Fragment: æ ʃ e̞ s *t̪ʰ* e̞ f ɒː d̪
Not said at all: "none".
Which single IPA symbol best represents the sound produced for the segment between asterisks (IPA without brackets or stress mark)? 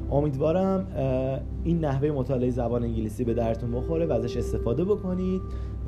t̪